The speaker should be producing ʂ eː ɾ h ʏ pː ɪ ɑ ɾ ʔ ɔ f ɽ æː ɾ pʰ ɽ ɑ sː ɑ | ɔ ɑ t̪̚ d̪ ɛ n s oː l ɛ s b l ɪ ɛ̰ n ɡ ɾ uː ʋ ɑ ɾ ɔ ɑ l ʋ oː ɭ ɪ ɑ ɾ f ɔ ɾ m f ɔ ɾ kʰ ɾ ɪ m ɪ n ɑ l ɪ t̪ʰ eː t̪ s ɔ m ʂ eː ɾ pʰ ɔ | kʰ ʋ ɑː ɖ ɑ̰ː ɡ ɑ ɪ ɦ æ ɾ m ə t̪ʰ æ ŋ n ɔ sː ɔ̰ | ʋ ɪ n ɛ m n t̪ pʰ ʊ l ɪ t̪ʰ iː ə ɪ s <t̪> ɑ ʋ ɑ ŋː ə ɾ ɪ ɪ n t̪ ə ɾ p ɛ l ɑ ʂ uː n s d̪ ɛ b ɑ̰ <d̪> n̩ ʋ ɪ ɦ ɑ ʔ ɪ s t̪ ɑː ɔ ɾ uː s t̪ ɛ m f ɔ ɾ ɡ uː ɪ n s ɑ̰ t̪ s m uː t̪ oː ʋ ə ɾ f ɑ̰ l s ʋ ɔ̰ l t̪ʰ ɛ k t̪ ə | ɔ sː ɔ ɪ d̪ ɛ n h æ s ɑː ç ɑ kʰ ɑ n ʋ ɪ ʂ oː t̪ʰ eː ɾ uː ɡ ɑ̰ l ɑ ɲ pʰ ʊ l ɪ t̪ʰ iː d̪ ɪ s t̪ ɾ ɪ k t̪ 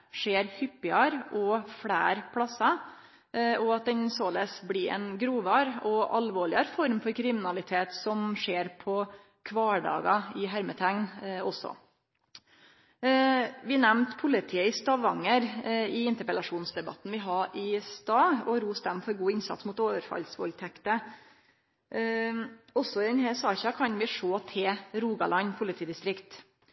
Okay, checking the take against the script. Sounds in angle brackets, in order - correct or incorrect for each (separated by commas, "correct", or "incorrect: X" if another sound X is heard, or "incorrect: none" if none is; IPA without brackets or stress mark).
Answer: correct, incorrect: t̪